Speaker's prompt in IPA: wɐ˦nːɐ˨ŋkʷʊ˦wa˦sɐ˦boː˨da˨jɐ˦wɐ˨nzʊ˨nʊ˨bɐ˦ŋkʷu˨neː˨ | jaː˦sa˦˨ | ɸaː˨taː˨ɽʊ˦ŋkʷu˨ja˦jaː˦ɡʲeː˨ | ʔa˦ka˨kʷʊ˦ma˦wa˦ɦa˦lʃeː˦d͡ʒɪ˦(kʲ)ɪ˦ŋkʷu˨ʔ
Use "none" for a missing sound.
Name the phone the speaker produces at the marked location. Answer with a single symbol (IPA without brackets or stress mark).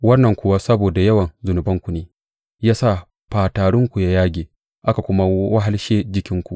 kʲ